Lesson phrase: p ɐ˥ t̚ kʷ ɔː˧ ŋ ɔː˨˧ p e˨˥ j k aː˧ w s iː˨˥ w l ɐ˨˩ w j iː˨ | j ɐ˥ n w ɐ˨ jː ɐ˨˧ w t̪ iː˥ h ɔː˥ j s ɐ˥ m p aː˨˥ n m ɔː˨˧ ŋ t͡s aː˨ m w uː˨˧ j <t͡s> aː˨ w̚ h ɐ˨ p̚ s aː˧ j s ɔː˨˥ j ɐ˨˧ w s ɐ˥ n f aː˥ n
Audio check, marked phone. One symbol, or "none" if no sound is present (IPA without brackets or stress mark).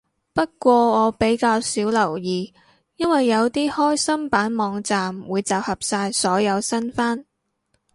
t͡s